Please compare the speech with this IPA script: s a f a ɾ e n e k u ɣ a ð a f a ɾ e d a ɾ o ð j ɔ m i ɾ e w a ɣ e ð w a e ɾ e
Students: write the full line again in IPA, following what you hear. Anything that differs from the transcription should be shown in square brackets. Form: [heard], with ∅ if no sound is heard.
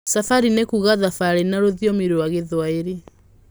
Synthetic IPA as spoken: s a f a ɾ [i] n e k u ɣ a ð a f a ɾ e [n] a ɾ o ð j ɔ m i ɾ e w a ɣ e ð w a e ɾ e